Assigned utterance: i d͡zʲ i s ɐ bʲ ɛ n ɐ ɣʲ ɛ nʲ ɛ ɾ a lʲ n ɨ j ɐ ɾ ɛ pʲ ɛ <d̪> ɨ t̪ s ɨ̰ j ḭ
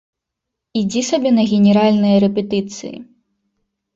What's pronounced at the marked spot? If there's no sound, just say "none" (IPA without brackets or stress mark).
t̪